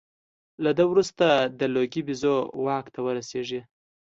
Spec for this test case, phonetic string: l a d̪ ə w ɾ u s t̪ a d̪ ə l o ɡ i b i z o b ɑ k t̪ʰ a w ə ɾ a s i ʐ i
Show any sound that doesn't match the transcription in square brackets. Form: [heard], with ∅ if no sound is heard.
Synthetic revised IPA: l a d̪ ə w ɾ u s t̪ a d̪ ə l o ɡ i b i z o [w] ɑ k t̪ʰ a w ə ɾ a s [e] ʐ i